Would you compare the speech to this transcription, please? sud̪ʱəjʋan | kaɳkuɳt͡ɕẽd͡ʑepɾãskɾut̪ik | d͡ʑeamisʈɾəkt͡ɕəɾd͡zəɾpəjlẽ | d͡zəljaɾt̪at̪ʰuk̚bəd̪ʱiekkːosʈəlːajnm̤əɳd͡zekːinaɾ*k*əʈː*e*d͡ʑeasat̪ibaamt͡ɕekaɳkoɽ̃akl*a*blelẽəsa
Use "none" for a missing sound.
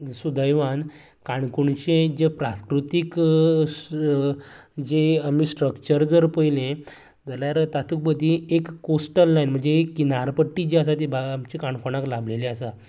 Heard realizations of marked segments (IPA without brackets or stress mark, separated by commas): p, i, a